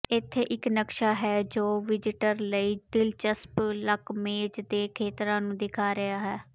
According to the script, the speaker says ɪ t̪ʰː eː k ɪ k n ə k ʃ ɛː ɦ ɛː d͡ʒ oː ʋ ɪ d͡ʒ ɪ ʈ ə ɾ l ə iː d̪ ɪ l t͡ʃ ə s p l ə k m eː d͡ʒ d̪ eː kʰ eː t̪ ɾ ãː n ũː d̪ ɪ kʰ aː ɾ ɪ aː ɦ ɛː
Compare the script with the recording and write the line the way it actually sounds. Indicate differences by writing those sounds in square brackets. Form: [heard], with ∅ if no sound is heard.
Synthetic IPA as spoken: ɪ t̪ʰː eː [ʔ] ɪ k n ə k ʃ [aː] ɦ ɛː d͡ʒ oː ʋ ɪ d͡ʒ ɪ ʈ ə ɾ l ə iː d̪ ɪ l t͡ʃ ə s p l ə k m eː d͡ʒ d̪ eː kʰ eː t̪ ɾ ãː n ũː d̪ ɪ kʰ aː ɾ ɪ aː ɦ ɛː